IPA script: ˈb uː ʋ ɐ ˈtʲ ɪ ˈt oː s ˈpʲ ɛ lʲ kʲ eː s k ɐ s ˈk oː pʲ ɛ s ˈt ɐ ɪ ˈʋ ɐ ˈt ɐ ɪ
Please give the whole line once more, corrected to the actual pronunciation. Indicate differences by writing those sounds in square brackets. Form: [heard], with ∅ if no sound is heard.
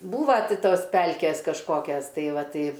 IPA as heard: ˈb uː ʋ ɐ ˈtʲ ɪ ˈt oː s ˈpʲ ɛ lʲ kʲ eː s k ɐ [ʃ] ˈk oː [kʲ] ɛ s ˈt ɐ ɪ ˈʋ ɐ ˈt ɐ ɪ